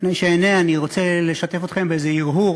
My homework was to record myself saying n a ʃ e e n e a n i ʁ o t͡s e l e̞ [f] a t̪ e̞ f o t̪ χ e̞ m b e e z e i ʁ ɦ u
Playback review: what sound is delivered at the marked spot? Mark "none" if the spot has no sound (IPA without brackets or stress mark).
ʃ